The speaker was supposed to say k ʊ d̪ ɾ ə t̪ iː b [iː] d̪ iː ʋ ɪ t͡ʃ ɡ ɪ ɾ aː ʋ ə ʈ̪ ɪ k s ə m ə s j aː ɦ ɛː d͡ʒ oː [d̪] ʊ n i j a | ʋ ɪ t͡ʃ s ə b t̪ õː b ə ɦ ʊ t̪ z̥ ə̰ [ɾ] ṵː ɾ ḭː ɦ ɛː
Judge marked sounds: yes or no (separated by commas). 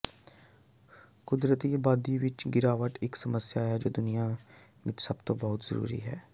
no, yes, yes